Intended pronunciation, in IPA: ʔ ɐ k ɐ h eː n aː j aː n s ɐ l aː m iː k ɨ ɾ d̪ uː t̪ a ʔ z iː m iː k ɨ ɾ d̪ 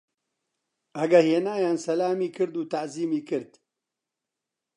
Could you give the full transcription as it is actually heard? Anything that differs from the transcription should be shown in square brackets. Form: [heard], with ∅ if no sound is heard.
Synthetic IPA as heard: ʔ ɐ [ɡ] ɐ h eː n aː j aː n s ɐ l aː m iː k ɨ ɾ d̪ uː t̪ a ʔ z iː m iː k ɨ ɾ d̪